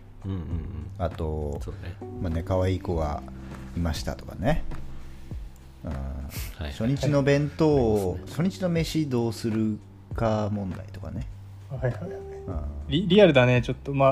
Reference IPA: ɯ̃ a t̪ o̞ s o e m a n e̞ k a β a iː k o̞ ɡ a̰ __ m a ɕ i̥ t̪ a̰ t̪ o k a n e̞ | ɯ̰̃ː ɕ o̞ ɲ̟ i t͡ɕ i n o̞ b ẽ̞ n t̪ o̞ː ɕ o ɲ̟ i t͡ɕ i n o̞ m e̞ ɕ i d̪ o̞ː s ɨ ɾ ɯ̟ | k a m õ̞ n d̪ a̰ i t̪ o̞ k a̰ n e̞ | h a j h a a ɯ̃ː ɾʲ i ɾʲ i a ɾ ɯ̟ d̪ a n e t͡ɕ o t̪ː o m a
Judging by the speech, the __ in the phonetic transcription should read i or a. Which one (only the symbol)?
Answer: i